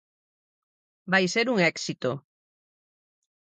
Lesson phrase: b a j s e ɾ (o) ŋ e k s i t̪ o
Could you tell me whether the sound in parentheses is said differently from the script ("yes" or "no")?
yes